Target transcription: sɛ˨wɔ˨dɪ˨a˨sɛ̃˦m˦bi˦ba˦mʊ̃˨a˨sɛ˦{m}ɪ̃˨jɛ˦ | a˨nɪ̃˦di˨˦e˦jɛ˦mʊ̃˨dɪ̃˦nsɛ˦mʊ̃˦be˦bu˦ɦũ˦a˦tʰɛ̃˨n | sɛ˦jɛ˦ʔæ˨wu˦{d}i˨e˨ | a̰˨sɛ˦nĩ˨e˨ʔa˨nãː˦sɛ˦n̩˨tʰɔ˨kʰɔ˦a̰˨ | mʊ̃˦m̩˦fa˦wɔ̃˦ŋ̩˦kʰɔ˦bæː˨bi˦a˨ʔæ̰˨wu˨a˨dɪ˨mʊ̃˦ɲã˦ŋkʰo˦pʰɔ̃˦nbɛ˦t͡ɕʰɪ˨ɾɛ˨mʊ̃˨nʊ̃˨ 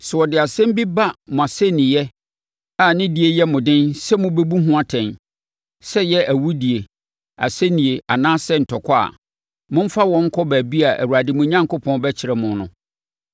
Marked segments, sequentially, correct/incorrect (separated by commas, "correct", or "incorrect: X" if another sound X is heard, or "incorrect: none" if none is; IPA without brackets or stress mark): incorrect: n, correct